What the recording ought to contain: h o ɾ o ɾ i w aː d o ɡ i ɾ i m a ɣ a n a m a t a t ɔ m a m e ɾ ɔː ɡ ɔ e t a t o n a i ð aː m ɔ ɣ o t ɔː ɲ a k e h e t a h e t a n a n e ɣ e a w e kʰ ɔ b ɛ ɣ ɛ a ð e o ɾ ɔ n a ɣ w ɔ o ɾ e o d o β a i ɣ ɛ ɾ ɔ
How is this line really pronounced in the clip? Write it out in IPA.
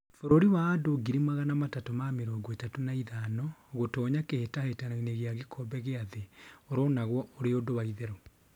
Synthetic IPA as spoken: f o ɾ o ɾ i w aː d o ɡ i ɾ i m a ɣ a n a m a t a t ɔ m a m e ɾ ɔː ɡ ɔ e t a t o n a i ð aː n ɔ ɣ o t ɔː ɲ a k e h e t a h e t a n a n e ɣ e a ɣ e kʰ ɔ b ɛ ɣ e a ð e o ɾ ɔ n a ɣ w ɔ o ɾ e o d o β a i ð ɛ ɾ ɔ